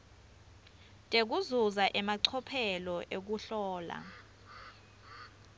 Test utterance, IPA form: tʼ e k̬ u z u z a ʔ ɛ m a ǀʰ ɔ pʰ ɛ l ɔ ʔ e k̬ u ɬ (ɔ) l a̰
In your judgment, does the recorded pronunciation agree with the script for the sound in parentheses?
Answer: no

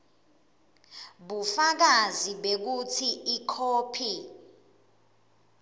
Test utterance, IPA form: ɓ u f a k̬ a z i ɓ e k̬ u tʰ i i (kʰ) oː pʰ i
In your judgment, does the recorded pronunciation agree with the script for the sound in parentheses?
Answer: yes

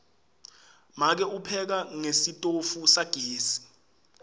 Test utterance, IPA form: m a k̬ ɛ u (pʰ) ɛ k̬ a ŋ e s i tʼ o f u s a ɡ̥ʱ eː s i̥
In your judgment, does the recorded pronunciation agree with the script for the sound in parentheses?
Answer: yes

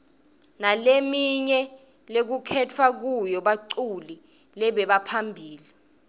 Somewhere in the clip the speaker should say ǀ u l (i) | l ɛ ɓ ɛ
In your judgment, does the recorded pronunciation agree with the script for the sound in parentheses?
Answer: yes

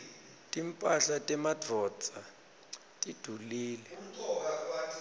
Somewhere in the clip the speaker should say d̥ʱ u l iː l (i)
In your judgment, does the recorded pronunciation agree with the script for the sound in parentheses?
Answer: no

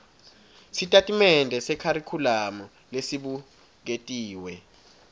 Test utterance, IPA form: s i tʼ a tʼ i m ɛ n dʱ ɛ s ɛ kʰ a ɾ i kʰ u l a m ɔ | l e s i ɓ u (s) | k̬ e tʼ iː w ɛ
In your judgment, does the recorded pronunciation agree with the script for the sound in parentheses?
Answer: no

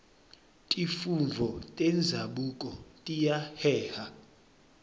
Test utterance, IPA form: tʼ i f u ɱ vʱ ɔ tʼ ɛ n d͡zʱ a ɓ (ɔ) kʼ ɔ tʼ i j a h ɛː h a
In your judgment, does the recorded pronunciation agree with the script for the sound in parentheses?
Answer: no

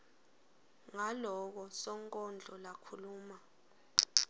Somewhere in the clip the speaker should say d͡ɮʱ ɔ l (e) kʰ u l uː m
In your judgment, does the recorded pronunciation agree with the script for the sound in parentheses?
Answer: no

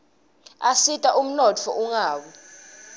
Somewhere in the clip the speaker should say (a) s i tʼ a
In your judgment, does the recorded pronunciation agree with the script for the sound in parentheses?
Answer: yes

